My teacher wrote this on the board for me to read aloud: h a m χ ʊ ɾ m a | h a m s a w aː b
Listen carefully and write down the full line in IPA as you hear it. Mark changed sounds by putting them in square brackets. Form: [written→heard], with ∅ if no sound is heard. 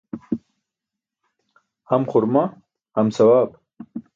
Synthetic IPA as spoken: h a m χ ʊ ɾ m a | h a m s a w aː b

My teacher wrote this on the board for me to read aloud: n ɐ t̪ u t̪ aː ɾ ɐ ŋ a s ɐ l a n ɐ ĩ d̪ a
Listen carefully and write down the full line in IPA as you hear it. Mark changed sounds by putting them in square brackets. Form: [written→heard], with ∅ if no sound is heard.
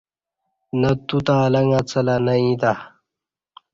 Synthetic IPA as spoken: n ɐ t̪ u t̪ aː [ɾ→l] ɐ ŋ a [s→t͡s] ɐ l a n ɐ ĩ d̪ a

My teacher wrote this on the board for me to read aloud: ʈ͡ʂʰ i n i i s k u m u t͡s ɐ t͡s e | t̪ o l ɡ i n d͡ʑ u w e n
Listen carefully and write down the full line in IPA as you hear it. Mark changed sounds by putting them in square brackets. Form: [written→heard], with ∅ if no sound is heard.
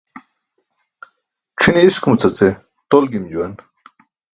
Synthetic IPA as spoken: ʈ͡ʂʰ i n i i s k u m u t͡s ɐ t͡s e | t̪ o l ɡ i [n→m] d͡ʑ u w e n

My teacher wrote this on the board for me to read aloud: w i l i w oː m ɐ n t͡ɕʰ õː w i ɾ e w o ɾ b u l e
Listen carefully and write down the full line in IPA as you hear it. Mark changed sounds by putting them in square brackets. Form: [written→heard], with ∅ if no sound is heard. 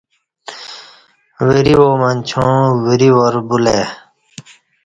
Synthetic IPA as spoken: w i [l→ɾ] i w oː m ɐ n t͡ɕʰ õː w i ɾ [e→i] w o ɾ b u l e

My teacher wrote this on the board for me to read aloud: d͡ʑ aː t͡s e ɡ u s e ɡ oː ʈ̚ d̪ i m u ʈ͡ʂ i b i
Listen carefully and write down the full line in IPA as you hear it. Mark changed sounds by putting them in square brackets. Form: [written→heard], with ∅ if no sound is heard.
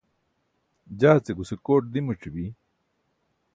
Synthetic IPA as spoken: d͡ʑ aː t͡s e ɡ u s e [ɡ→k] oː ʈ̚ d̪ i m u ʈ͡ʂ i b i

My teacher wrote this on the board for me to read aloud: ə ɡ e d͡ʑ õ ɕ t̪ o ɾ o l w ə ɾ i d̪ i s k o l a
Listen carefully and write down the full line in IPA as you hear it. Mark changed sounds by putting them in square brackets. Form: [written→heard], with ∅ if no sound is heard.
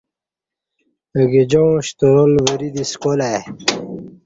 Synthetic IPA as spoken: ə ɡ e d͡ʑ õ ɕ t̪ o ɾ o l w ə ɾ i d̪ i s k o l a

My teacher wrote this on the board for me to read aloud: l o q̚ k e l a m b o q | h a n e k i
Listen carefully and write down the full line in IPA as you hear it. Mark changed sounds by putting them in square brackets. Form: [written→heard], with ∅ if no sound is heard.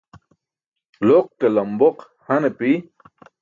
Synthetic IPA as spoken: l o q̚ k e l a m b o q | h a n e [k→p] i

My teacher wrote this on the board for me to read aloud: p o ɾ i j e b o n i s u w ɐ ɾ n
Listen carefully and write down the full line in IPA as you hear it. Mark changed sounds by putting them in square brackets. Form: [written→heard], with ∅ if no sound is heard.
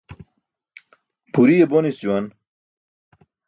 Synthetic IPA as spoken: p [o→u] ɾ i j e b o n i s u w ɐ [ɾ→∅] n

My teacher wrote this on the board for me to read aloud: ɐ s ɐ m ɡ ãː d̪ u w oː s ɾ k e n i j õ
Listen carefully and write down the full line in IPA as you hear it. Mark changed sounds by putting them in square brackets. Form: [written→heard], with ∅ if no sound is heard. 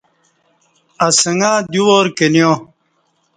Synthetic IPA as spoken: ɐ s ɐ [m→ŋ] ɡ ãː d̪ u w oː [s→∅] ɾ k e n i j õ

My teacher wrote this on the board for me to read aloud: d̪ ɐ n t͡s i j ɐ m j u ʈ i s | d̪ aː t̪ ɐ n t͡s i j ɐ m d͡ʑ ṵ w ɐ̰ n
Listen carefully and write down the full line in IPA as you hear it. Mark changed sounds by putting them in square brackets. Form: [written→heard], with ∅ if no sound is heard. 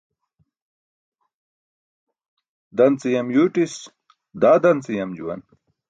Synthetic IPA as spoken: d̪ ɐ n t͡s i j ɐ m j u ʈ i s | d̪ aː [t̪→d̪] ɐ n t͡s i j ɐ m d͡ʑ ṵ w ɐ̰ n

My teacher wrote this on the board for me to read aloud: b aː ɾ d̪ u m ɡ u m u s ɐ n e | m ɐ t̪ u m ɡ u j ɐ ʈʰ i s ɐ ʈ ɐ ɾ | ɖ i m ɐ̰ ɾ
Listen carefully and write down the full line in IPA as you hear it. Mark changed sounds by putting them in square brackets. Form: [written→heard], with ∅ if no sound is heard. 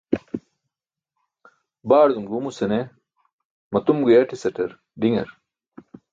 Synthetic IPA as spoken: b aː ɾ d̪ u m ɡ u m u s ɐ n e | m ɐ t̪ u m ɡ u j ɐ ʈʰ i s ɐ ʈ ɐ ɾ | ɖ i [m→ŋ] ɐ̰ ɾ

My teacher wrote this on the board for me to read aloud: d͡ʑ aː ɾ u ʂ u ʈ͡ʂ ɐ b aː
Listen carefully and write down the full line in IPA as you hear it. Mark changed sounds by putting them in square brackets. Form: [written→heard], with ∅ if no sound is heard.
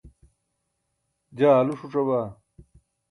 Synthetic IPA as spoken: d͡ʑ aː [ɾ→l] u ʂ u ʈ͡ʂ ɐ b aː

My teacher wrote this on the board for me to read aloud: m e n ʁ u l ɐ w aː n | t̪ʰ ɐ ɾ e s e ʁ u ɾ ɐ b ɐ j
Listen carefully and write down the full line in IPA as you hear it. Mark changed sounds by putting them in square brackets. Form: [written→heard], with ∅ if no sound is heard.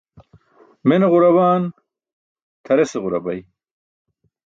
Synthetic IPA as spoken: m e n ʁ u [l→ɾ] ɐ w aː n | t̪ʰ ɐ ɾ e s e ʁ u ɾ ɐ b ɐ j

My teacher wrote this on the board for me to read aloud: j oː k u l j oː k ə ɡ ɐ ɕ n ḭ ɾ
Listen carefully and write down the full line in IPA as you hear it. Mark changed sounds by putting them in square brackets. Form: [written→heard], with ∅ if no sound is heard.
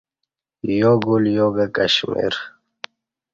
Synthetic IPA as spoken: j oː [k→ɡ] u l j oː [k→ɡ] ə [ɡ→k] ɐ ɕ [n→m] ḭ ɾ

